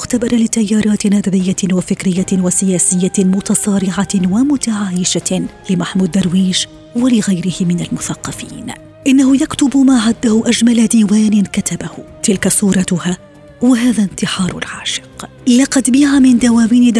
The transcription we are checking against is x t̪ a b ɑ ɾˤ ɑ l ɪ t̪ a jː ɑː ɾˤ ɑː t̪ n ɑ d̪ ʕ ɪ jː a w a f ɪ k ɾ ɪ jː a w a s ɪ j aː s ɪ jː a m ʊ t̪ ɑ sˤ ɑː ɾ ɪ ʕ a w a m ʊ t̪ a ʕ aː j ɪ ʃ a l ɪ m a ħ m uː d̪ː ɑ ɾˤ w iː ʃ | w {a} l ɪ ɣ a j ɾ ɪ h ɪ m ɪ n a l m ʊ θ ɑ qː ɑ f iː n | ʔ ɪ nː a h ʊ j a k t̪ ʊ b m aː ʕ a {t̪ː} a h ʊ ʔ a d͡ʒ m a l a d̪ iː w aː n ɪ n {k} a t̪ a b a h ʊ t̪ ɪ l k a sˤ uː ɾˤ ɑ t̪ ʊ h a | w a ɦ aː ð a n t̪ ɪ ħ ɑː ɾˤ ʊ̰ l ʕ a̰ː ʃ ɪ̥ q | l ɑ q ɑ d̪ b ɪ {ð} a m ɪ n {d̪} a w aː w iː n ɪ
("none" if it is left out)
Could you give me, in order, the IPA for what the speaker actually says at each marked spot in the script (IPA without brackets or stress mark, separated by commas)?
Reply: a, d̪ː, k, ʕ, d̪